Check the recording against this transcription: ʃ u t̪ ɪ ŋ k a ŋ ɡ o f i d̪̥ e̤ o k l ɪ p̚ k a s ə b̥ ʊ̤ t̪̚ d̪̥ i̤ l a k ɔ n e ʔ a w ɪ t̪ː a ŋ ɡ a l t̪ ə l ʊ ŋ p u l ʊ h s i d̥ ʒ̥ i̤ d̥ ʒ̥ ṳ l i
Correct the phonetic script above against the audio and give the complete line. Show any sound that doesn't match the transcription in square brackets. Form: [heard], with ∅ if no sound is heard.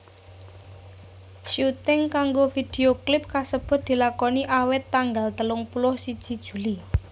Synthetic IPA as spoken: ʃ u t̪ ɪ ŋ k a ŋ ɡ o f i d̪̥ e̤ o k l ɪ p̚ k a s ə b̥ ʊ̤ t̪̚ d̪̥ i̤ l a k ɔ n [i] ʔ a w ɪ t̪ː a ŋ ɡ a l t̪ ə l ʊ ŋ p u l ʊ h s i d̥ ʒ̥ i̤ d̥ ʒ̥ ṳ l i